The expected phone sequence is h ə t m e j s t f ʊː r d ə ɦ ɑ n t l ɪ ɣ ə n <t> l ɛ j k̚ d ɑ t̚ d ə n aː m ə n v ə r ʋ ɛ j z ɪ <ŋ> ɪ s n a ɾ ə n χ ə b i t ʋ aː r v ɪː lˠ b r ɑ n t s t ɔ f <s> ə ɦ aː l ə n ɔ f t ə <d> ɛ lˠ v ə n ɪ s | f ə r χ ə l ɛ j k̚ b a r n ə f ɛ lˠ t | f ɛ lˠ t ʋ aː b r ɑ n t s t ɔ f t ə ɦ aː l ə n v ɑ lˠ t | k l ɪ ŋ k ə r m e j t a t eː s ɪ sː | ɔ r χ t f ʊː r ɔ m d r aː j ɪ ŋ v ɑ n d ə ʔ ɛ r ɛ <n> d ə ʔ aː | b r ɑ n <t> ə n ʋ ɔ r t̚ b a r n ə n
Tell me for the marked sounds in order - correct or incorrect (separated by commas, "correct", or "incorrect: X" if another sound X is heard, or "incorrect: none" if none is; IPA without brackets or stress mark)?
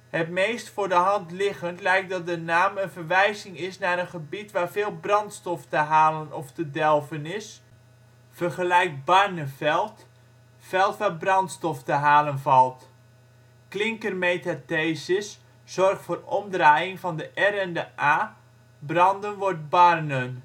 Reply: correct, correct, incorrect: t, correct, correct, incorrect: d